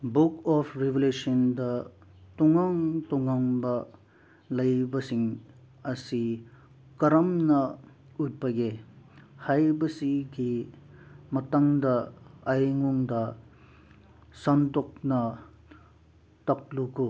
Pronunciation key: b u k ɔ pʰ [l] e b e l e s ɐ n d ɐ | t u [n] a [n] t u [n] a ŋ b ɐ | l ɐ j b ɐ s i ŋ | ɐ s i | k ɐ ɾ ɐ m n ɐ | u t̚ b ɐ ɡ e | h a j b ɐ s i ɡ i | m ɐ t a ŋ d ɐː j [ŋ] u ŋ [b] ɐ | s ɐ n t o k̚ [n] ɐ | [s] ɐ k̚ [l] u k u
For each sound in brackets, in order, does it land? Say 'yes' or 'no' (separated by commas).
no, no, no, no, yes, no, yes, no, yes